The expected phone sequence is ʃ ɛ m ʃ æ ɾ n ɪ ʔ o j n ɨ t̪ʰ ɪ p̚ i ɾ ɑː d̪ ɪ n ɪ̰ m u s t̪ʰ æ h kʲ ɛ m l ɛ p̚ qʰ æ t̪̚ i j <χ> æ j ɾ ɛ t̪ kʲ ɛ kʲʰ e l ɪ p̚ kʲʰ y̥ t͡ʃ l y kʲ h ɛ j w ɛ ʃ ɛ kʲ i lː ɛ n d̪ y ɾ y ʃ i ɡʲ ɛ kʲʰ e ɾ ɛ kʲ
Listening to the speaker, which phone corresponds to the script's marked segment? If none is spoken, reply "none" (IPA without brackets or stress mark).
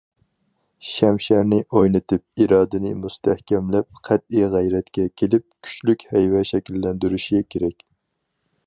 ʁ